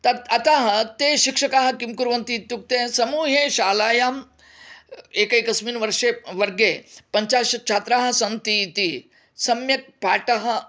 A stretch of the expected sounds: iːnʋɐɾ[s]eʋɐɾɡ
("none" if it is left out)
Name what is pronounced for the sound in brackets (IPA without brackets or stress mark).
ʂ